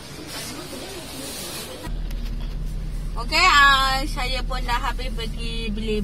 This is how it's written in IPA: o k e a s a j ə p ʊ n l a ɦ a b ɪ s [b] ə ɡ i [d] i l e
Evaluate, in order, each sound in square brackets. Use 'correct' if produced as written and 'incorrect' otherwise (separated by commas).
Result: correct, incorrect